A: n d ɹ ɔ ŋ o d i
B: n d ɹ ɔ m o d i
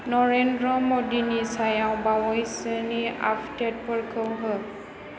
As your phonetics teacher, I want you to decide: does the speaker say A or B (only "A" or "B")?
B